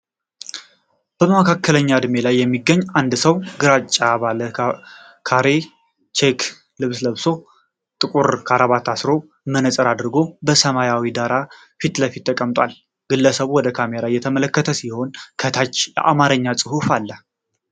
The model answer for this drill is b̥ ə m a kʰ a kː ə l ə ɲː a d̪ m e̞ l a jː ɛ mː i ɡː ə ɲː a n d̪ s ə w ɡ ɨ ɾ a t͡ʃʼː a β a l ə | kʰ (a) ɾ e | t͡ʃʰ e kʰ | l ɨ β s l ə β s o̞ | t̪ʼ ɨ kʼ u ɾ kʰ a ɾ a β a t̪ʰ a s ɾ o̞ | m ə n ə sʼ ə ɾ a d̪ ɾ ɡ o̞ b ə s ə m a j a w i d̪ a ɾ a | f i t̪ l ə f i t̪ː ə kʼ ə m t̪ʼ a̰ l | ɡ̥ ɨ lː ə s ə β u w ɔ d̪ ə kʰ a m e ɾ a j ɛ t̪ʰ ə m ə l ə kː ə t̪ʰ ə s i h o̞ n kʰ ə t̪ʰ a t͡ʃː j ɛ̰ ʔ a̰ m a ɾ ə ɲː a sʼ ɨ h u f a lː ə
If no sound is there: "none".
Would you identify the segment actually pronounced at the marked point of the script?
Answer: a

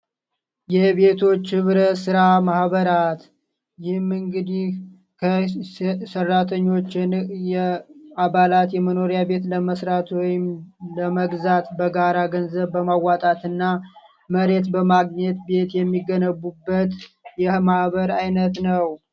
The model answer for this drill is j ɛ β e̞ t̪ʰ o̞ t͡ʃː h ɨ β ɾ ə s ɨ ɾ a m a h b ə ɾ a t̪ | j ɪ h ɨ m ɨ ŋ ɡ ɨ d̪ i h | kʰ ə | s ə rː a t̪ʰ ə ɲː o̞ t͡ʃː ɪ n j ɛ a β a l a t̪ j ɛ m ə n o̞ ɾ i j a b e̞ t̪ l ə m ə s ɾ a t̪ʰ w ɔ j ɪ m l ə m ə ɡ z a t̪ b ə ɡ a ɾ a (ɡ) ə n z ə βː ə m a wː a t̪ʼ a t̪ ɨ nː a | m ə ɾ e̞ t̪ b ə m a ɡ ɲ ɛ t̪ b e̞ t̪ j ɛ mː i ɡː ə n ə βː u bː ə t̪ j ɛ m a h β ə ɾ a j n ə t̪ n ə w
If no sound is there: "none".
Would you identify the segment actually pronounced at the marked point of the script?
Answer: ɡ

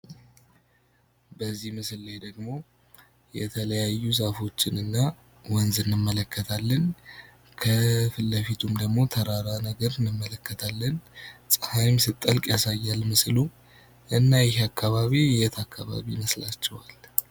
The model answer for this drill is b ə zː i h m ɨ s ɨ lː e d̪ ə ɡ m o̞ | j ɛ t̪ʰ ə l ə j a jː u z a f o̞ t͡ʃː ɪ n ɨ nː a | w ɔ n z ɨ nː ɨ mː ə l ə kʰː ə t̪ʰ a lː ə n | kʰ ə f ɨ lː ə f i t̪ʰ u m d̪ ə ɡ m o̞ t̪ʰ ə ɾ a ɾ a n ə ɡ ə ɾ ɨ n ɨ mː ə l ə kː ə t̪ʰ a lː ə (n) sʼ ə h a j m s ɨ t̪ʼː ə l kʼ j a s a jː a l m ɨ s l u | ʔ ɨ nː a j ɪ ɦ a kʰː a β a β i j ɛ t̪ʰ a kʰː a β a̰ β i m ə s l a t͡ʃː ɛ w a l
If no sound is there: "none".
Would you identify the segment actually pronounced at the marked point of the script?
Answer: n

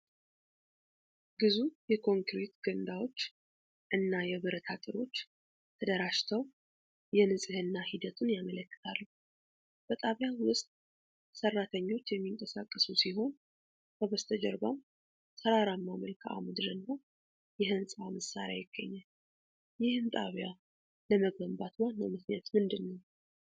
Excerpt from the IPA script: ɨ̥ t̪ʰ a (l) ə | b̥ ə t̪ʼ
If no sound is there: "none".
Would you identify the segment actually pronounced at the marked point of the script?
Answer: lː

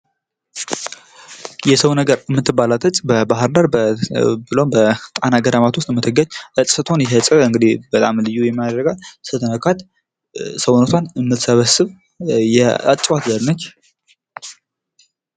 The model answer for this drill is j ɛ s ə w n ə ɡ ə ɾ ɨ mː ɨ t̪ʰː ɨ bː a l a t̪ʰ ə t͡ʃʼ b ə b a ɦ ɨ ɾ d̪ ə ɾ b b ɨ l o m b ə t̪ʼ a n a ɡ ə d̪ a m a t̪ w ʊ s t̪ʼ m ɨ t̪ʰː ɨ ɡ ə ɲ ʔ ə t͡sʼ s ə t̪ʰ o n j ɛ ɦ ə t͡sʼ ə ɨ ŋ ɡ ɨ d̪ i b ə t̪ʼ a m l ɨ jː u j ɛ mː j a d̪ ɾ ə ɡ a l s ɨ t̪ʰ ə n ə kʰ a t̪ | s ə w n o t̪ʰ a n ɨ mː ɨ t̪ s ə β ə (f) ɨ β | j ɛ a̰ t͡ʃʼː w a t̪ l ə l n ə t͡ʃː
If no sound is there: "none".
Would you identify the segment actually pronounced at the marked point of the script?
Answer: s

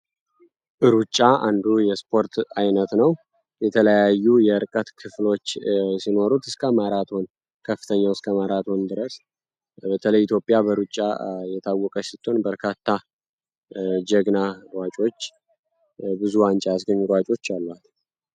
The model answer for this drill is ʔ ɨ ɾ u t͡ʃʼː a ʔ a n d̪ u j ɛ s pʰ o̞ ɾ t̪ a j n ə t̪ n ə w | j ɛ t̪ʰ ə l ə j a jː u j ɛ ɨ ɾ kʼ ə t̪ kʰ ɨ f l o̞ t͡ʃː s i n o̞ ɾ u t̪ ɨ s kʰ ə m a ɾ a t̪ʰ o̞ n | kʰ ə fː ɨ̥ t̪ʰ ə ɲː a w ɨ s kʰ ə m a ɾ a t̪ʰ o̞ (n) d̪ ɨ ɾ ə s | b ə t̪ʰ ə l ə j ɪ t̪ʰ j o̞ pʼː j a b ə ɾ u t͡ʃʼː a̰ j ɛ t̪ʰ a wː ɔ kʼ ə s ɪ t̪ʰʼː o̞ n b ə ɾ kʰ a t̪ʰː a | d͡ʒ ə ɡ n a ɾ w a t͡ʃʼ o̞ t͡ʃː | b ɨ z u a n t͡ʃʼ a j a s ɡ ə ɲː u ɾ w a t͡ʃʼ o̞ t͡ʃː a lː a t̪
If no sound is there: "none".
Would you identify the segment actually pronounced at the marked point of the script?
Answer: n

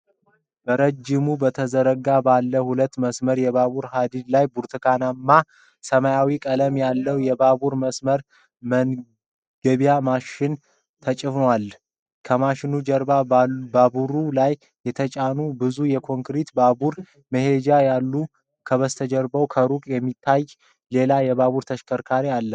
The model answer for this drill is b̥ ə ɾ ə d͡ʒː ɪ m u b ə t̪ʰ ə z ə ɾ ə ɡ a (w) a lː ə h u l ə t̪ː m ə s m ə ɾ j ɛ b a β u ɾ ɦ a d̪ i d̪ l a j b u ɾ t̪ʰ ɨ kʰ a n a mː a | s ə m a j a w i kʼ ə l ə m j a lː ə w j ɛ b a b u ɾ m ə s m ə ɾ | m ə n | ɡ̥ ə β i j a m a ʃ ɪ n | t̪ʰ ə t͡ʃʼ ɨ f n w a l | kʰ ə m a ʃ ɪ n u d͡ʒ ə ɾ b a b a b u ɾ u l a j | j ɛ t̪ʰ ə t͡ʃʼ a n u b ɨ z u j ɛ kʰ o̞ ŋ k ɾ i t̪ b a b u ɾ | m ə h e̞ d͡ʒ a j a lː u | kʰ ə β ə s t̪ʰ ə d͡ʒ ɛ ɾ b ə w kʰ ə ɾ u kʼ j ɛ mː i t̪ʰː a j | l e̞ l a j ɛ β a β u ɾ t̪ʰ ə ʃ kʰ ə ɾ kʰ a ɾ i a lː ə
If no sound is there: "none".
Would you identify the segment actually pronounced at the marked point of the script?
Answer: b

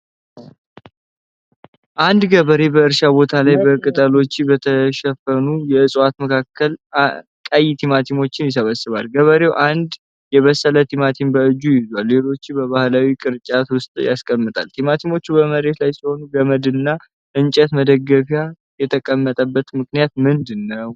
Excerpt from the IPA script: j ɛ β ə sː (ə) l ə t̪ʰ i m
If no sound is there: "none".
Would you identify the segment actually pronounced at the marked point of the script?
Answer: ə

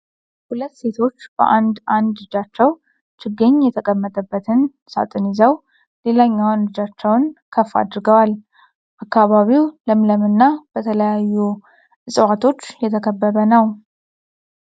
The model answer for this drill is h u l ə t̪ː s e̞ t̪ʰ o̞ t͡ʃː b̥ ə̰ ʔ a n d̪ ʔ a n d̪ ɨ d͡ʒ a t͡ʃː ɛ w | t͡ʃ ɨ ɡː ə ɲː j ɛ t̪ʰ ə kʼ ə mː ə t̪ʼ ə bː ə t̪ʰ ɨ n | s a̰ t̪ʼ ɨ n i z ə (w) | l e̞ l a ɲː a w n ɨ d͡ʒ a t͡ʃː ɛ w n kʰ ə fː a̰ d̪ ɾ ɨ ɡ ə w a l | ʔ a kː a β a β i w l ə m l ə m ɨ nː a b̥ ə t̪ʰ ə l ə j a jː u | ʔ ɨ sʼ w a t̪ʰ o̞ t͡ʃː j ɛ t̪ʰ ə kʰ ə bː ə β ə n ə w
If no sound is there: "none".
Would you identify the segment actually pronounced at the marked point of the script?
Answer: w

